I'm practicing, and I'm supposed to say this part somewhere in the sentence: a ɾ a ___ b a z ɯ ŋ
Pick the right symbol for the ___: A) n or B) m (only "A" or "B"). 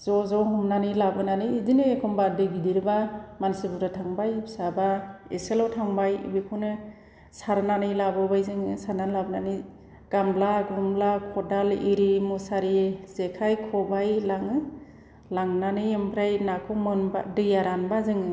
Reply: A